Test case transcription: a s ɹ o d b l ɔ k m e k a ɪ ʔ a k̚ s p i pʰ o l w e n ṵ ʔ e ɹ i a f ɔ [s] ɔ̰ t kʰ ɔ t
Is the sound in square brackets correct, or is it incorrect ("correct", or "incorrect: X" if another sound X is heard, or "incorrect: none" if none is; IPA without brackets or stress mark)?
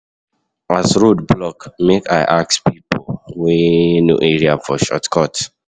incorrect: ʃ